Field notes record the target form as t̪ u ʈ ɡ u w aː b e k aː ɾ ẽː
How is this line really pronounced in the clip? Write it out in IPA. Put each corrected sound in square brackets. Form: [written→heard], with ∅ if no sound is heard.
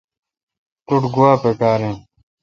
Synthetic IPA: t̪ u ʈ ɡ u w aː [b→p] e k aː ɾ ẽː